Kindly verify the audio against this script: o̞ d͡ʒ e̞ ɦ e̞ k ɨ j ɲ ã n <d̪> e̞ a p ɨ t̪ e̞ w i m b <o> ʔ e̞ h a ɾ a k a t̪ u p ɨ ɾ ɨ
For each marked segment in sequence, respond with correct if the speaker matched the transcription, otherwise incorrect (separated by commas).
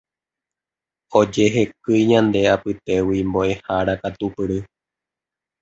correct, correct